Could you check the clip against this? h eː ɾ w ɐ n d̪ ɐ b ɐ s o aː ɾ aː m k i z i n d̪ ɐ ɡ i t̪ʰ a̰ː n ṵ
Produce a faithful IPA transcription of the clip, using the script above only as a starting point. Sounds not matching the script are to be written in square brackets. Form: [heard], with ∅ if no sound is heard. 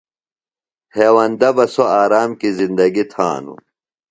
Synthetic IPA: h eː [∅] w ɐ n d̪ ɐ b ɐ s o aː ɾ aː m k i z i n d̪ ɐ ɡ i t̪ʰ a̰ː n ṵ